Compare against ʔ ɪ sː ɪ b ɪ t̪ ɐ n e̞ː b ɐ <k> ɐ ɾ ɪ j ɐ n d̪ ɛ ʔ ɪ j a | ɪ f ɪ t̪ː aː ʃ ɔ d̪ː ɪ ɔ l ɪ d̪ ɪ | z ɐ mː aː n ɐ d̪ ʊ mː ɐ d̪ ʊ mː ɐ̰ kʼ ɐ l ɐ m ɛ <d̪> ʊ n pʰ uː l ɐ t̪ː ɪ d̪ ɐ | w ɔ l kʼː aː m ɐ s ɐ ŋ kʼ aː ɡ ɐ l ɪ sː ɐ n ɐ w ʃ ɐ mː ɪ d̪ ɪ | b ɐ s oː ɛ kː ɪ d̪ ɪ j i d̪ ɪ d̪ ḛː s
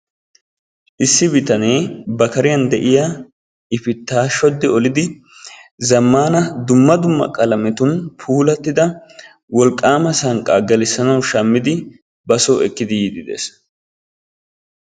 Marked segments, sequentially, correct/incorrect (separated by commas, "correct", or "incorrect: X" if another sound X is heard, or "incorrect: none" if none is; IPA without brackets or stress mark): correct, incorrect: t̪